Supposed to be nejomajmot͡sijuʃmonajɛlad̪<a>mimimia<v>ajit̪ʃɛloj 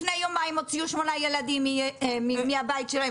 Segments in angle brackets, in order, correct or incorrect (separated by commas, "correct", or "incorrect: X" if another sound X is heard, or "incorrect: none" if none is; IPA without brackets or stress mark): incorrect: i, incorrect: b